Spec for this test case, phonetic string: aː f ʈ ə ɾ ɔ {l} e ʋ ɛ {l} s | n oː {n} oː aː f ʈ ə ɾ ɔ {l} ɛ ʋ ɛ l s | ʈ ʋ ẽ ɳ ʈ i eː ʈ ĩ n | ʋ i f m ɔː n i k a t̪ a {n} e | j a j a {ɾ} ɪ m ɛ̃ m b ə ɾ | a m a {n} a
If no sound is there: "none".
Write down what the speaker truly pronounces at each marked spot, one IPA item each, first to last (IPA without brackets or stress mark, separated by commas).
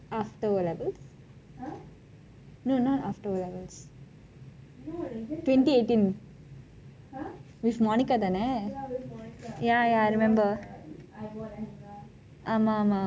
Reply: l, l, n, l, n, ɾ, m